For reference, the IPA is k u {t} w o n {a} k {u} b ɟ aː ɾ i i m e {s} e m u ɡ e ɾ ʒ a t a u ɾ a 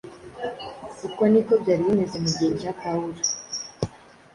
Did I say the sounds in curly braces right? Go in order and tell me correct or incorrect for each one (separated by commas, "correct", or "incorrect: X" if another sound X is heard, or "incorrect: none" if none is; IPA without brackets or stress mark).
incorrect: k, incorrect: i, incorrect: o, incorrect: z